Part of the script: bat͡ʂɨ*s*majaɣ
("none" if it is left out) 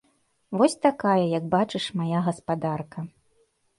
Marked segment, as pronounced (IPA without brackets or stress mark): ʂ